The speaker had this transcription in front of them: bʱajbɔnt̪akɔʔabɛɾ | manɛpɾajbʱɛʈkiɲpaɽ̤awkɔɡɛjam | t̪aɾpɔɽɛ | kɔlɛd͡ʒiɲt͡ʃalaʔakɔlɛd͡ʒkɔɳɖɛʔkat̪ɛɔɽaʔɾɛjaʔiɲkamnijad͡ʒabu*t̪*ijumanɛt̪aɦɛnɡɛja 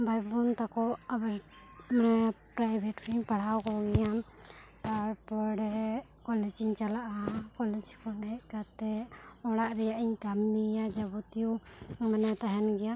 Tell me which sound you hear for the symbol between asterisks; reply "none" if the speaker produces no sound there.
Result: t̪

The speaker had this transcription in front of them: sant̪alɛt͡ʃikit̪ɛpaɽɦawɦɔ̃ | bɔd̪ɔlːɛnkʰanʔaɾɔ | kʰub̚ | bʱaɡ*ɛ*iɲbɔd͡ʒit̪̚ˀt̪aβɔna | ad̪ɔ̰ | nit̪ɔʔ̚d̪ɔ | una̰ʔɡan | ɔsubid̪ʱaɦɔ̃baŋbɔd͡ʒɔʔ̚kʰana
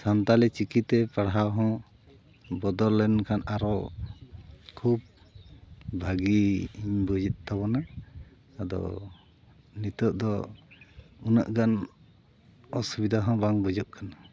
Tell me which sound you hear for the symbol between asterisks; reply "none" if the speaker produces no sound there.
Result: i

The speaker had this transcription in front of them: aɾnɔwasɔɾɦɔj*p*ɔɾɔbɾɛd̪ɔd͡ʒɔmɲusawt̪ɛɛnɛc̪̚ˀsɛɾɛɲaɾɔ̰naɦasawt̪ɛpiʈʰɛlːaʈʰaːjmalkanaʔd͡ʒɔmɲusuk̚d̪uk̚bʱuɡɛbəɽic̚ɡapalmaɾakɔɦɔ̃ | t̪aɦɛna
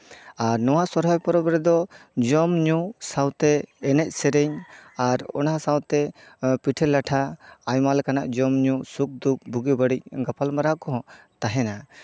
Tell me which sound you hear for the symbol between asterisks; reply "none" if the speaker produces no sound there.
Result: p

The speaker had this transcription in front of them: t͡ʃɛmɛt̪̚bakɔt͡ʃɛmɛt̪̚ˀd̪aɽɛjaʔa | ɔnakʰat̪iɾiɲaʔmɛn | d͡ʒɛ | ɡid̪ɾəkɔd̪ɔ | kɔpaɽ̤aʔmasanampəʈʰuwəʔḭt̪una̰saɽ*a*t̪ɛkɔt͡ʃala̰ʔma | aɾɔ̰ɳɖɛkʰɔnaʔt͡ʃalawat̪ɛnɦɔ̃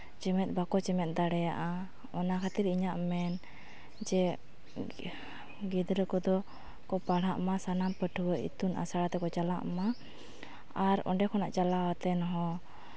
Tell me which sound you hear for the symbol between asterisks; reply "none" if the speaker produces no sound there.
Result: a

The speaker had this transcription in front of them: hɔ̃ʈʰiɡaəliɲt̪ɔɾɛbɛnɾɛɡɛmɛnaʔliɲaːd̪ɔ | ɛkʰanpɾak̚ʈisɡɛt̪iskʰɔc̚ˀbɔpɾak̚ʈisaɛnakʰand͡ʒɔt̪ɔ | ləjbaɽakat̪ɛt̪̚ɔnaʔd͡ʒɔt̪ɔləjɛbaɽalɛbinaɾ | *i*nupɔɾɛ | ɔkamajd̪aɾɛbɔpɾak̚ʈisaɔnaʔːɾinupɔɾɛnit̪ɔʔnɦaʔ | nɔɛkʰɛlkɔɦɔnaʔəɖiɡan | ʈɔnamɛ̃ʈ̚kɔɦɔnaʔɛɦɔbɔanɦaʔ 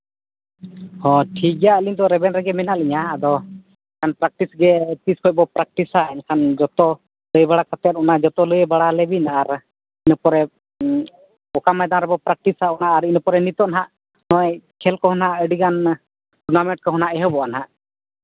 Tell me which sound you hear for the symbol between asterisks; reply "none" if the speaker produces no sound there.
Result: i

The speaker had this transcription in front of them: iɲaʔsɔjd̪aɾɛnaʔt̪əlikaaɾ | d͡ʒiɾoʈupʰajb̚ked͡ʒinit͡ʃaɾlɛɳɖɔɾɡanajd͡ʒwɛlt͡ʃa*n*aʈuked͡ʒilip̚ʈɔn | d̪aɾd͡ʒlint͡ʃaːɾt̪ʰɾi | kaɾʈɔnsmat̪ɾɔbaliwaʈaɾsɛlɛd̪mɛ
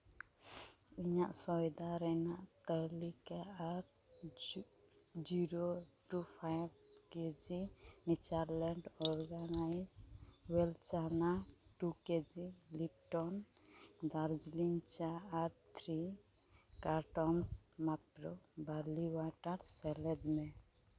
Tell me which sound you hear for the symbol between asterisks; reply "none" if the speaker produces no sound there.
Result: n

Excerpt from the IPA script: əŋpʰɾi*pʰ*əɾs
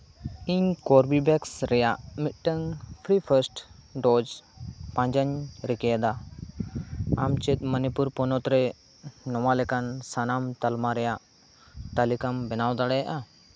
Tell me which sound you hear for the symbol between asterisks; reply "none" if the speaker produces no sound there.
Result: pʰ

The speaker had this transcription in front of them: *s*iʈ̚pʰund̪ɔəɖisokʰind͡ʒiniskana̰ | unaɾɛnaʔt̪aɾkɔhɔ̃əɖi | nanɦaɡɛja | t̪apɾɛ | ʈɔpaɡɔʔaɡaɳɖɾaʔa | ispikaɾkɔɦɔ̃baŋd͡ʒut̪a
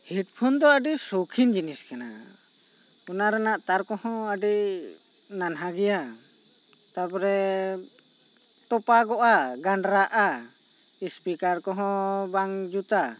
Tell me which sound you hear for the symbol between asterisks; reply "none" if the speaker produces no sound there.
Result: h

